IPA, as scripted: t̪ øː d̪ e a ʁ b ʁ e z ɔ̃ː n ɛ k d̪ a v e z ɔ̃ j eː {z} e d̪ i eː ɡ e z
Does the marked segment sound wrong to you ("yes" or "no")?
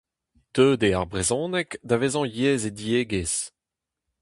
no